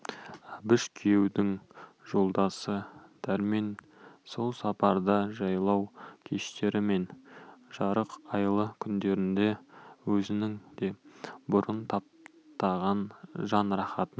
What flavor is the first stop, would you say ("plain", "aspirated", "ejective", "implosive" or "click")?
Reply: plain